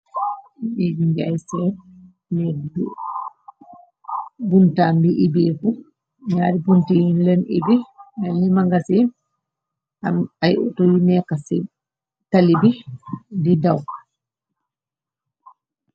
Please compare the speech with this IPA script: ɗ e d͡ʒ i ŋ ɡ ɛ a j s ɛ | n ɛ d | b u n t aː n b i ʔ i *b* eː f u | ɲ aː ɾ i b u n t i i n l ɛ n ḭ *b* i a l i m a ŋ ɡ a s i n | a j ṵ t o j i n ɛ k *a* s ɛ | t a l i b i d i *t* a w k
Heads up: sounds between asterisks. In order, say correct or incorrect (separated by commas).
correct, correct, correct, incorrect